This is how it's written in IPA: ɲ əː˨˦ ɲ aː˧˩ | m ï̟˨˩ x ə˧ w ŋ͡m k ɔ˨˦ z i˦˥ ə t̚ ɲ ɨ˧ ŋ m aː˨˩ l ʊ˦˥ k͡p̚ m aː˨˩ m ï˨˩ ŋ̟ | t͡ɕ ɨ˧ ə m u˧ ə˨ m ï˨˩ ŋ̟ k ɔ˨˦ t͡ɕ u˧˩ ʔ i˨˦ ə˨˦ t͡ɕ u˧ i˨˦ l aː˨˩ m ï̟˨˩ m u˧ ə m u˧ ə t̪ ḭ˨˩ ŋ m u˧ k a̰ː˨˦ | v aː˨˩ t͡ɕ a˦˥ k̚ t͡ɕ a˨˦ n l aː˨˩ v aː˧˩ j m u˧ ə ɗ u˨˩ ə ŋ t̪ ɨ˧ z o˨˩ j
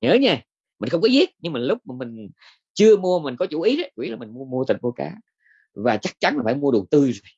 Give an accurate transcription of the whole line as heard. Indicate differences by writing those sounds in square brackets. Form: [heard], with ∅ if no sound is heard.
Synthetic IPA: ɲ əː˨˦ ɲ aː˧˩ | m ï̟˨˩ x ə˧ w ŋ͡m k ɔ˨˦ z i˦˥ ə t̚ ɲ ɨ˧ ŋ m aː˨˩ l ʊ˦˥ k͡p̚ m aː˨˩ m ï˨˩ ŋ̟ | t͡ɕ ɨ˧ ə m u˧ ə˨ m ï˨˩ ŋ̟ k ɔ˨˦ t͡ɕ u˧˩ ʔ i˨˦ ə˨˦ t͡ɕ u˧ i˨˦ l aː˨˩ m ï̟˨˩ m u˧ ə m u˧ ə t̪ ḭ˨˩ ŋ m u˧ k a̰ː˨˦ | v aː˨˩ t͡ɕ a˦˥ k̚ t͡ɕ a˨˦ n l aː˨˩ [f] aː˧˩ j m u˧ ə ɗ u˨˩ ə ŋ t̪ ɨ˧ z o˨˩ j